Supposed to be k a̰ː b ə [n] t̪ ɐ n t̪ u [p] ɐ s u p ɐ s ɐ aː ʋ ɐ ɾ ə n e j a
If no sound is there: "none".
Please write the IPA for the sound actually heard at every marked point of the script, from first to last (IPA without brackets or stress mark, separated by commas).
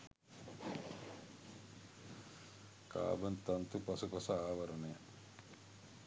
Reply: n, p